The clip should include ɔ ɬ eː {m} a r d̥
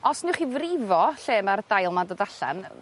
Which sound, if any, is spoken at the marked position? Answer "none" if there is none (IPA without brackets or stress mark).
m